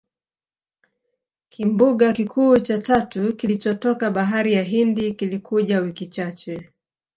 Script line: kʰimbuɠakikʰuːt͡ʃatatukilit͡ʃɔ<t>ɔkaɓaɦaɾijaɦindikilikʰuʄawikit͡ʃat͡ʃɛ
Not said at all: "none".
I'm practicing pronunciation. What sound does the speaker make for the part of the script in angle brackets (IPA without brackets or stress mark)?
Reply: t